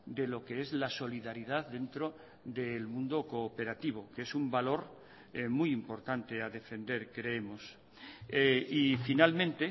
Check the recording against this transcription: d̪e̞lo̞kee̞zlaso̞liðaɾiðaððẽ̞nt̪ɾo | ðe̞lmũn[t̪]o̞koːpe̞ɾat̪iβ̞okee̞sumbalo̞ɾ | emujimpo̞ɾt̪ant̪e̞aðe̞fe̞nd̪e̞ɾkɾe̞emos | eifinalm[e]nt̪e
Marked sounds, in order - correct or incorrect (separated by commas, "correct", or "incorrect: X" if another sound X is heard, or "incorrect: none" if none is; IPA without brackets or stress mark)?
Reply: incorrect: d̪, incorrect: ẽ